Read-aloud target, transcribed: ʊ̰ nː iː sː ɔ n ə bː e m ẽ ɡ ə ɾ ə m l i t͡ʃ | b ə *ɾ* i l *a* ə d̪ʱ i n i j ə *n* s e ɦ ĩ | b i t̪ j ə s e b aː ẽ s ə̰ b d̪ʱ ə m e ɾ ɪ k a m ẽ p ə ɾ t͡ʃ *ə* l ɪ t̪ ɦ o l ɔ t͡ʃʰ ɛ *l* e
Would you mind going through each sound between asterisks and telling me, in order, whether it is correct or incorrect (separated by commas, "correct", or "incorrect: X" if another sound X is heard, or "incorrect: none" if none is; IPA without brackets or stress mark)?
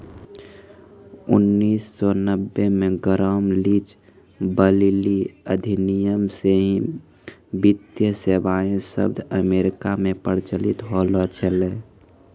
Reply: incorrect: l, incorrect: i, incorrect: m, correct, correct